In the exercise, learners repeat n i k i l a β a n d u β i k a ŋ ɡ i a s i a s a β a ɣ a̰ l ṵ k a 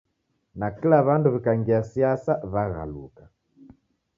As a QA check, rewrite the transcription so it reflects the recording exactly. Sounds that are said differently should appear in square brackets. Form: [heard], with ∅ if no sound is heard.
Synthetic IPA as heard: n [a] k i l a β a n d u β i k a ŋ ɡ i a s i a s a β a ɣ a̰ l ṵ k a